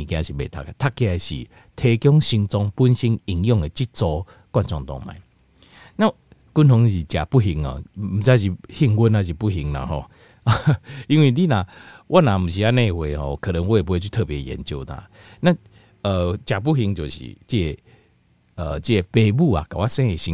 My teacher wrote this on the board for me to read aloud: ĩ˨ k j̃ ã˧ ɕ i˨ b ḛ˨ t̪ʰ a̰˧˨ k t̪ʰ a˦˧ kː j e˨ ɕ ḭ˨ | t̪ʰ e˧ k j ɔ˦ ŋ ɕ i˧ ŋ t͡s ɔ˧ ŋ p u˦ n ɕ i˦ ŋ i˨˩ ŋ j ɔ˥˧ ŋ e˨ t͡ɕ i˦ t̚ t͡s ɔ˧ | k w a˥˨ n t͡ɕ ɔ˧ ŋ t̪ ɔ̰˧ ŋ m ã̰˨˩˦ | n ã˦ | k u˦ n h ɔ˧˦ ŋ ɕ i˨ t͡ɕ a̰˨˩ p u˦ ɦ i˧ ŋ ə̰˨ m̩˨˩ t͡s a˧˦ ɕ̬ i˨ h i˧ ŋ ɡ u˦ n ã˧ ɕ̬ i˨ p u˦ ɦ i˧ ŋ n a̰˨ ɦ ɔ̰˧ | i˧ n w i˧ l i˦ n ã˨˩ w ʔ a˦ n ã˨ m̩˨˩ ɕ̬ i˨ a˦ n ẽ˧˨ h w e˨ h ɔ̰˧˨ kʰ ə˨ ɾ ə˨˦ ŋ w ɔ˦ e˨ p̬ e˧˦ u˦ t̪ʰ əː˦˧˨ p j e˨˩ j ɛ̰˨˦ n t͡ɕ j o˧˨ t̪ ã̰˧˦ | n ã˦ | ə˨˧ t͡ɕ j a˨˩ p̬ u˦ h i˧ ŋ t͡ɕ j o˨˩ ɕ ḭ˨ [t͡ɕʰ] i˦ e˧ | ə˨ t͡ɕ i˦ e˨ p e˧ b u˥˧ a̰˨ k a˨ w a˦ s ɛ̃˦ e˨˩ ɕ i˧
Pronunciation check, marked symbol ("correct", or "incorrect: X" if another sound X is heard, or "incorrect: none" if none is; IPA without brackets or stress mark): incorrect: t͡ɕ